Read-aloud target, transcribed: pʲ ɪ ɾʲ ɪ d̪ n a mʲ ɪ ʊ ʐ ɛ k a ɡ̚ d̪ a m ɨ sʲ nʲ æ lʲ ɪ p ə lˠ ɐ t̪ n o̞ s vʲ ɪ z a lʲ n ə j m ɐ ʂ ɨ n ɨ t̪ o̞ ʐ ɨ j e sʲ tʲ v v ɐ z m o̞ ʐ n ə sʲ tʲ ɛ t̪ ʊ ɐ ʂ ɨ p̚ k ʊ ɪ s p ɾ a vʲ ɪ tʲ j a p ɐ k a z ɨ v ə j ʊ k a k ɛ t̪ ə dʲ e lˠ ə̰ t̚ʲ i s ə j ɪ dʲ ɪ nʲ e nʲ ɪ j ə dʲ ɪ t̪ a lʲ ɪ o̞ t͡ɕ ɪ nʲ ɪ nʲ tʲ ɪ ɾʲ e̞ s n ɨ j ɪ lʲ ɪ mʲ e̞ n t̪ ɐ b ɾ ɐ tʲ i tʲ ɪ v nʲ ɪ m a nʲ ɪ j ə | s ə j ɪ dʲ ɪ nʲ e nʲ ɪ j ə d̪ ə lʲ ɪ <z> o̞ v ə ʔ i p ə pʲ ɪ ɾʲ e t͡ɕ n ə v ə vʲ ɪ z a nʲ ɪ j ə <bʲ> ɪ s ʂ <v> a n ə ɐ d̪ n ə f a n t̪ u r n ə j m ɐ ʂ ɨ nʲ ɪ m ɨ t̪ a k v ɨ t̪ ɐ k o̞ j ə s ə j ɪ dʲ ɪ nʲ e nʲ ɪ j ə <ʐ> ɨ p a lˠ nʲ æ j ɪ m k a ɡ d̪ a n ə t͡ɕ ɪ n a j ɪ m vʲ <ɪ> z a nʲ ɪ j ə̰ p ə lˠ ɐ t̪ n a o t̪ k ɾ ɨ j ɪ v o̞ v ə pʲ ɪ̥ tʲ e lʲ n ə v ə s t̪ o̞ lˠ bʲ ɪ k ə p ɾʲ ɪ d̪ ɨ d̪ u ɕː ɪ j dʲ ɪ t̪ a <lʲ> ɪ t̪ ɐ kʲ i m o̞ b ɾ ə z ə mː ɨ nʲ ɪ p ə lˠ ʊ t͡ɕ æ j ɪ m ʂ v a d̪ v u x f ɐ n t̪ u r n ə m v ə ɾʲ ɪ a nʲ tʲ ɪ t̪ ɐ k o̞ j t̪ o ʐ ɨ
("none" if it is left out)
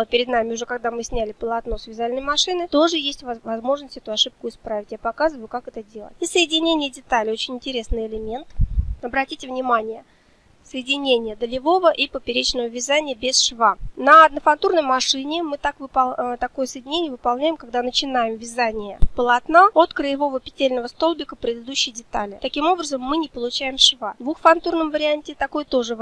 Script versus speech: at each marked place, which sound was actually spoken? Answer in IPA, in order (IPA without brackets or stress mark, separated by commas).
v, bʲ, v, v, ɪ, lʲ